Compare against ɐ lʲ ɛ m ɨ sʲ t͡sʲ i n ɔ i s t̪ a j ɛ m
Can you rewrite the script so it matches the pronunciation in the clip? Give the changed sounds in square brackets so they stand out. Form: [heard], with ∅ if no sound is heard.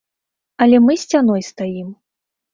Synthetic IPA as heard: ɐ lʲ ɛ m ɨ sʲ t͡sʲ [a] n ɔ [j] s t̪ a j [i] m